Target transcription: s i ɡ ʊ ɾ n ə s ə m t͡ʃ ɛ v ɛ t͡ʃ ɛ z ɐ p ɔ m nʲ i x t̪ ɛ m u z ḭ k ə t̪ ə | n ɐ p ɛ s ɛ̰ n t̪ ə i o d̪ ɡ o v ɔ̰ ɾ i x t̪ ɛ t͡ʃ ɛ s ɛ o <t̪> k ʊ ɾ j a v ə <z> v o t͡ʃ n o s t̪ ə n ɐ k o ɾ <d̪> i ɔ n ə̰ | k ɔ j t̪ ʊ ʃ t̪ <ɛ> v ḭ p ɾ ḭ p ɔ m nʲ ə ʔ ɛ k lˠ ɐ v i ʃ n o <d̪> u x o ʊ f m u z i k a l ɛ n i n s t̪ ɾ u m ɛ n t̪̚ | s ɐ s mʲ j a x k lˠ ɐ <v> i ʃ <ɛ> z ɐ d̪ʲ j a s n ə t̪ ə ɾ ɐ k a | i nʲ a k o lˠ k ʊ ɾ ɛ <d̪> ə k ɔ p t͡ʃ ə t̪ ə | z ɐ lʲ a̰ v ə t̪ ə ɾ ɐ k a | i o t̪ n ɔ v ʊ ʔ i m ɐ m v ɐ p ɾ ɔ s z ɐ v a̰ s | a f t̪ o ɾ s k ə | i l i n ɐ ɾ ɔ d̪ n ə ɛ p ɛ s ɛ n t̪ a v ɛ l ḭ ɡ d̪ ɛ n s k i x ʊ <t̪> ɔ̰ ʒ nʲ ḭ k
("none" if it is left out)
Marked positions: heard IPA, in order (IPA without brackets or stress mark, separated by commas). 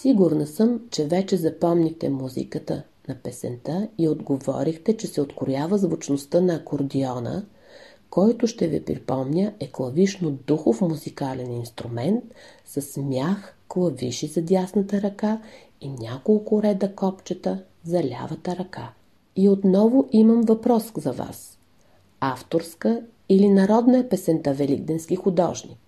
t̪, z, d̪, ɛ, d̪, v, i, d̪, d̪